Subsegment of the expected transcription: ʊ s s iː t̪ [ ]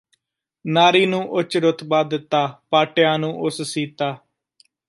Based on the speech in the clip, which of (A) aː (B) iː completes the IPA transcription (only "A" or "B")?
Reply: A